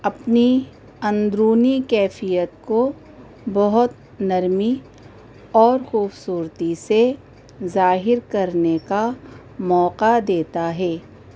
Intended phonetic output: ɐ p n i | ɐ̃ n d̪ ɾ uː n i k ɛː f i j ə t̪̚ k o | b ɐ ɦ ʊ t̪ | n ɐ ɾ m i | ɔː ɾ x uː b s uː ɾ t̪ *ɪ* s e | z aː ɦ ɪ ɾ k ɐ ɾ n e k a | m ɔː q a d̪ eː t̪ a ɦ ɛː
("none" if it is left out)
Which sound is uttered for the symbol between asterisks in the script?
i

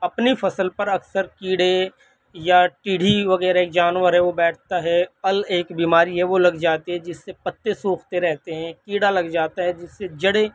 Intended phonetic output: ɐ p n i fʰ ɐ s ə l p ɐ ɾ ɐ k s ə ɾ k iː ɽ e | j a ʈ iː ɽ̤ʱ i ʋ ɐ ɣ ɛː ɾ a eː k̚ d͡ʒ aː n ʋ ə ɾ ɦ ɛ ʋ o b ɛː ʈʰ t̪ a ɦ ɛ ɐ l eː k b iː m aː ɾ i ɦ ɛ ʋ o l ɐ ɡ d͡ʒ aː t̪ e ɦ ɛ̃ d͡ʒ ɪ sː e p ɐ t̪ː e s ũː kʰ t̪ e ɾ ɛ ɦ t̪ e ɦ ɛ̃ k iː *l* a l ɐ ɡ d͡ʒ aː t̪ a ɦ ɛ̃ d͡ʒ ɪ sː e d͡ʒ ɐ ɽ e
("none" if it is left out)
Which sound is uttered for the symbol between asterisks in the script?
ɽ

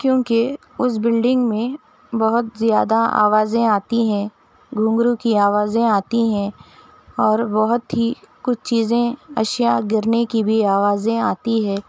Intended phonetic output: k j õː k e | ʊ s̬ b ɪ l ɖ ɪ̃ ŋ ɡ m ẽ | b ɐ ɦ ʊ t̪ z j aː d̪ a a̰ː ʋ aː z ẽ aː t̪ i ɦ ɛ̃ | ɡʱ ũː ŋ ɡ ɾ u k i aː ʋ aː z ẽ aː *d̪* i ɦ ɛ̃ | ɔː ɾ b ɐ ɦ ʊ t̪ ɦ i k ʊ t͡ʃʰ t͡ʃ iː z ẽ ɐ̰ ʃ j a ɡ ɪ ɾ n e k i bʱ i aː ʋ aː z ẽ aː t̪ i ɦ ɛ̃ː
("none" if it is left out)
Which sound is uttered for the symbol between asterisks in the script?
t̪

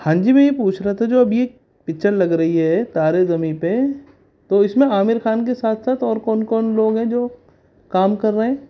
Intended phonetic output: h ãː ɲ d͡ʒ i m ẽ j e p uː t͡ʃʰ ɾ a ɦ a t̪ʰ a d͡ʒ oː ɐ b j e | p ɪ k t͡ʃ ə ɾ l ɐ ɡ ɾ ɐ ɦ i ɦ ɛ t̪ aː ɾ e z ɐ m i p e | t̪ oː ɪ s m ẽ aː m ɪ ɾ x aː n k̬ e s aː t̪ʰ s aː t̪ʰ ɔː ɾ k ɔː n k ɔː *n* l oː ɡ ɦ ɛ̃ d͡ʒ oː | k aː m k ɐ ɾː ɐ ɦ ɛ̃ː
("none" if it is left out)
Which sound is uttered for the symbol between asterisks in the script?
n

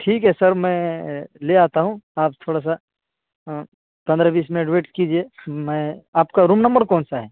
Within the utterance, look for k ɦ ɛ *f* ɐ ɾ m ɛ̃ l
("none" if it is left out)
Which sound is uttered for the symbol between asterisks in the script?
s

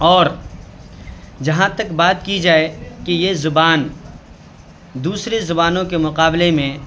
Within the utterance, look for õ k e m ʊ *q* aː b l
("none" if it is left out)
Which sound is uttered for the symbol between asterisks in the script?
q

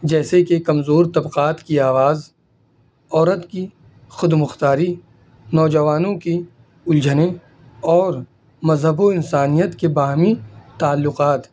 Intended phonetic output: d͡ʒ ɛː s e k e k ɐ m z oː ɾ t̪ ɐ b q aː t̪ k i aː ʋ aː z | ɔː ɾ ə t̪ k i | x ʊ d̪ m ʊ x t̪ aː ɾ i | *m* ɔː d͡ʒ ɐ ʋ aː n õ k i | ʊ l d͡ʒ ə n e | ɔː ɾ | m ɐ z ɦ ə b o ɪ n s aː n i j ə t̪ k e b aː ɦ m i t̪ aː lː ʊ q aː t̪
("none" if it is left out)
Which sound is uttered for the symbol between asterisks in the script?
n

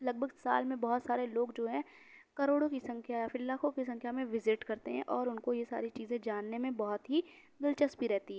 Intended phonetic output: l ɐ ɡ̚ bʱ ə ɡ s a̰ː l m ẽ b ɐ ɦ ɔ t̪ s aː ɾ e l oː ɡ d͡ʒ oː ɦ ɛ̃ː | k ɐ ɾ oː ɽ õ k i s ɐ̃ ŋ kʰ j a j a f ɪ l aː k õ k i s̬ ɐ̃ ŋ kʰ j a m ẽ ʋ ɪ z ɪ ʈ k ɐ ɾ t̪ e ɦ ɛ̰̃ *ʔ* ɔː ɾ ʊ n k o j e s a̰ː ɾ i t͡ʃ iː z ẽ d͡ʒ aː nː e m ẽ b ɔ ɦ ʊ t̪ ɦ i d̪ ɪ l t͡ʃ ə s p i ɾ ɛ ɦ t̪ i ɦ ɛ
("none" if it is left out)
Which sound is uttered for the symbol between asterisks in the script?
ʔ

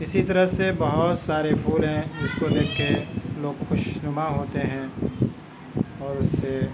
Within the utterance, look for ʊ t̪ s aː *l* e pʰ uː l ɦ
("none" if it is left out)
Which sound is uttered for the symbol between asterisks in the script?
ɾ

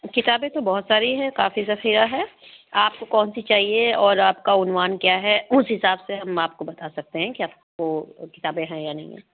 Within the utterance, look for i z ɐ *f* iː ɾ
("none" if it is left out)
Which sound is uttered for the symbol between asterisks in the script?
x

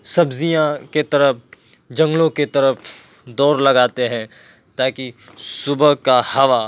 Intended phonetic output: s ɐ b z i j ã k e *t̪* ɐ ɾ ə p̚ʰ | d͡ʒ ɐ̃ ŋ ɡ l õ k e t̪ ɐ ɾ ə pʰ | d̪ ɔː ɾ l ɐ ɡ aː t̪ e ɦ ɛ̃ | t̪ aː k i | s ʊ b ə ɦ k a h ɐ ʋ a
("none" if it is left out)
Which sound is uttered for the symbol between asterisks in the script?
t̪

